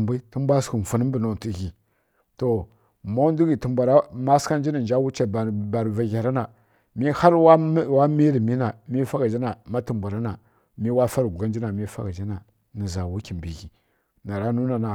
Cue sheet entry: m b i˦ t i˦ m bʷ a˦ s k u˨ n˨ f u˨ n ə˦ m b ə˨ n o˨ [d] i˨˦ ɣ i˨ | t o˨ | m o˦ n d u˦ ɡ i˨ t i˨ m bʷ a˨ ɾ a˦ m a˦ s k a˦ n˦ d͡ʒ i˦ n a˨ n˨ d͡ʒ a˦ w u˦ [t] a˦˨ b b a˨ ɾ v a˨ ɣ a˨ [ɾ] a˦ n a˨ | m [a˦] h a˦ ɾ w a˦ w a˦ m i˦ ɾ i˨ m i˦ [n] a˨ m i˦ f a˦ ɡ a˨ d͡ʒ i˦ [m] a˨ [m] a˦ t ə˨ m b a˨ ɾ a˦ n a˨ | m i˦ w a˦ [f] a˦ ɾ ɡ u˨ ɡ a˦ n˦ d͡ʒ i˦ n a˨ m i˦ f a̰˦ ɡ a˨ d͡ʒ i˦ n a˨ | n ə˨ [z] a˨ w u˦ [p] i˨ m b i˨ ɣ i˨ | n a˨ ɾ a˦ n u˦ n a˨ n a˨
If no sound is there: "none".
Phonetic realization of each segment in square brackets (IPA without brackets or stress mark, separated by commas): t, t͡ʃ, ɾ, i˦, n, n, m, f, z, k